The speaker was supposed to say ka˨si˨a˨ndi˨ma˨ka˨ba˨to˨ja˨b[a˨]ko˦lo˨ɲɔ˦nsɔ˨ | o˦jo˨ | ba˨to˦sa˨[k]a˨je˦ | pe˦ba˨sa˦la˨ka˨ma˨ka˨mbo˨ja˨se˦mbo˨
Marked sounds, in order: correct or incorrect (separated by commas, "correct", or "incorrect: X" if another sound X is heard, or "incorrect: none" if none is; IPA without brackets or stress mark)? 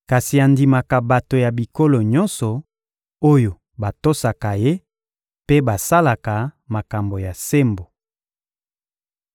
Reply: incorrect: i˨, correct